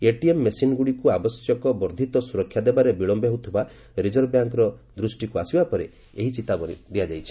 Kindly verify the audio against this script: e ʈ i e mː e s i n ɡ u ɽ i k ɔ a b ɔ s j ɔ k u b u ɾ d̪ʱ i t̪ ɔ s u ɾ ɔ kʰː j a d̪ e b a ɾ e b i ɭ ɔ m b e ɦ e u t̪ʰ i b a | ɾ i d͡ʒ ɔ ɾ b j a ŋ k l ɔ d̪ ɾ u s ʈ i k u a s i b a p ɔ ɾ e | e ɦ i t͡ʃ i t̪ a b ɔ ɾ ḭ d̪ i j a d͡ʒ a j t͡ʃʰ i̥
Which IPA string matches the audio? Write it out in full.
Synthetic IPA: e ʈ i e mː e s i n ɡ u ɽ i k u a b ɔ s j ɔ k ɔ b ɔ ɾ d̪ʱ i t̪ ɔ s u ɾ ɔ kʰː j a d̪ e b a ɾ e b i ɭ ɔ m b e ɦ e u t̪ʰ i b a | ɾ i d͡ʒ ɔ ɾ b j a ŋ k ɾ ɔ d̪ ɾ u s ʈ i k u a s i b a p ɔ ɾ e | e ɦ i t͡ʃ i t̪ a b ɔ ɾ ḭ d̪ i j a d͡ʒ a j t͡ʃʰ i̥